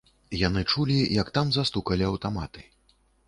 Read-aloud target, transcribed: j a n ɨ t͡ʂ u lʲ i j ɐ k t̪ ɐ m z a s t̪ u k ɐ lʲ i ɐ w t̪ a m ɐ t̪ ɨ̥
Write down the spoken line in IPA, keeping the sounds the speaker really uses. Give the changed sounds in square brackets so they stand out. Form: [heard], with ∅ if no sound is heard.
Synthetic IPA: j a n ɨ t͡ʂ u lʲ i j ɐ k t̪ [a] m z a s t̪ u k ɐ lʲ i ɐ w t̪ a m [a] t̪ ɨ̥